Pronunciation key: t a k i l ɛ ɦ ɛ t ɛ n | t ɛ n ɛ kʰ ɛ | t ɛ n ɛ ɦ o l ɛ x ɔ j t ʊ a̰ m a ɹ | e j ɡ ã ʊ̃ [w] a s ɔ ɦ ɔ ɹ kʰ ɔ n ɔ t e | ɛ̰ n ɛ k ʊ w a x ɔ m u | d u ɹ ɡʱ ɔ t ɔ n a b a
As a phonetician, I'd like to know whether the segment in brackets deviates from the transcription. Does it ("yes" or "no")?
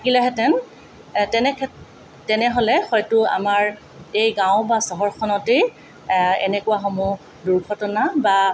yes